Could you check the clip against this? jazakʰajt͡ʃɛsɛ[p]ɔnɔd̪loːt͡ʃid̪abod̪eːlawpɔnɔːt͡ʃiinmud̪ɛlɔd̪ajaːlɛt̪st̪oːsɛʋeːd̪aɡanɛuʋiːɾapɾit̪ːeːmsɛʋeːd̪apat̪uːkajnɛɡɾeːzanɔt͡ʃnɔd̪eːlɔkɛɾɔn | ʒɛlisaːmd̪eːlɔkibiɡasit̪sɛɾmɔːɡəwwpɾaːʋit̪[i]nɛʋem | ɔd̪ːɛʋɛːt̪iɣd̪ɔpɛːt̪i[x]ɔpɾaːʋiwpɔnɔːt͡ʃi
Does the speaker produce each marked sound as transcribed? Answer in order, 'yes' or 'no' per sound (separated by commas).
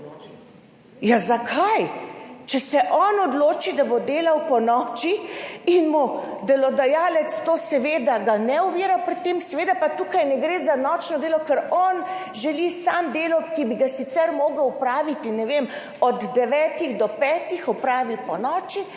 no, yes, yes